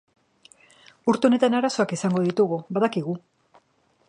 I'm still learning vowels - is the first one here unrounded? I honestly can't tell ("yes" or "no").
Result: no